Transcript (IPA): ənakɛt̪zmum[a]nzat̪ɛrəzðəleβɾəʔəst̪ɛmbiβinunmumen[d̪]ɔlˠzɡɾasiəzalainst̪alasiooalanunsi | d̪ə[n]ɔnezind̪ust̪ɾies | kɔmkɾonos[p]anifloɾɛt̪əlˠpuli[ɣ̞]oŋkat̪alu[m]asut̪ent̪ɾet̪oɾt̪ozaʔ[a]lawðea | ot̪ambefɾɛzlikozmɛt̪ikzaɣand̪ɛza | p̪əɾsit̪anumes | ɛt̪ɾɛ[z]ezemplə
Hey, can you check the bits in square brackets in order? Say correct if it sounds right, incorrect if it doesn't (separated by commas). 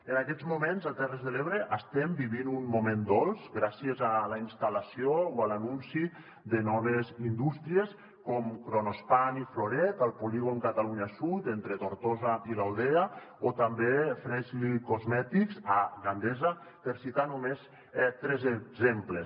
incorrect, correct, correct, correct, correct, incorrect, incorrect, correct